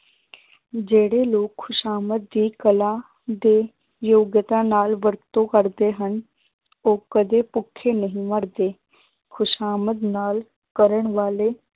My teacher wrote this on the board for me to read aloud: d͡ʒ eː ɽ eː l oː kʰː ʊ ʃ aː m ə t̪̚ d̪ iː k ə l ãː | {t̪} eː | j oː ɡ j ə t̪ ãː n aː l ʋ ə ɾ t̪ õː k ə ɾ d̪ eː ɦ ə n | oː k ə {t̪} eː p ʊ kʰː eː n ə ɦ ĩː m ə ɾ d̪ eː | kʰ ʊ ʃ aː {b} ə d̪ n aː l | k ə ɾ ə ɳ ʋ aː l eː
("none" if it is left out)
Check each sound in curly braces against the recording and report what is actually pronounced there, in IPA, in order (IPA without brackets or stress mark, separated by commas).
d̪, d̪, m